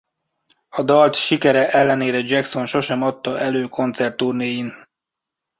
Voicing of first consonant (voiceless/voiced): voiced